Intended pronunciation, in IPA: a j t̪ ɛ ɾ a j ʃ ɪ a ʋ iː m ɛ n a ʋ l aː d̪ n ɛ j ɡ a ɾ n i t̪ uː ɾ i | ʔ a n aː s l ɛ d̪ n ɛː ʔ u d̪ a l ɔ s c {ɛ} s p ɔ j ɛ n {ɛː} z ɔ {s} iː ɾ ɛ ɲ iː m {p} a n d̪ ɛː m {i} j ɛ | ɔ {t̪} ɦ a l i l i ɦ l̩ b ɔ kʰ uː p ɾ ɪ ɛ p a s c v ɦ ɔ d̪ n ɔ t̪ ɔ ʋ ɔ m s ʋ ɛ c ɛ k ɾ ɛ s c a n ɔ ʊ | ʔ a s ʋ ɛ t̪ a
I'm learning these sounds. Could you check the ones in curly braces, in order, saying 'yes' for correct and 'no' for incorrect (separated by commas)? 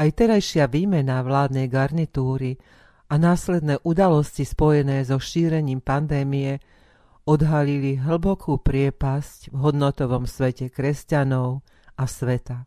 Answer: no, yes, no, yes, yes, no